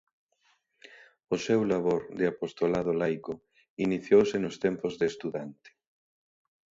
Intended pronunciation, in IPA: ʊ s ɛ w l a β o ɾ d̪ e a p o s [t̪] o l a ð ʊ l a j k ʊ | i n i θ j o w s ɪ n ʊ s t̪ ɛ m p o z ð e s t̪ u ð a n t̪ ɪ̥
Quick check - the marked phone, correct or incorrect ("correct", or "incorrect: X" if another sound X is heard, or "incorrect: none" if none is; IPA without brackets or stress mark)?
correct